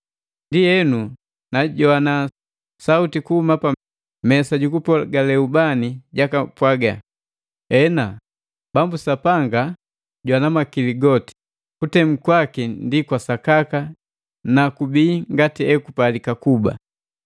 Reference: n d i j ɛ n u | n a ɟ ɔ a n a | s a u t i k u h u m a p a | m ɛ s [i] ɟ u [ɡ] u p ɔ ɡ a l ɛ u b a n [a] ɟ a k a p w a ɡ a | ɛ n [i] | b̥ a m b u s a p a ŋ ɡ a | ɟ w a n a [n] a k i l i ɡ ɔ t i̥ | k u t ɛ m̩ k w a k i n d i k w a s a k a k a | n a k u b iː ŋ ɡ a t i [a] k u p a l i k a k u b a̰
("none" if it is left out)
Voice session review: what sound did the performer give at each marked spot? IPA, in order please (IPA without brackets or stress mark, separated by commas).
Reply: a, k, i, a, m, ɛ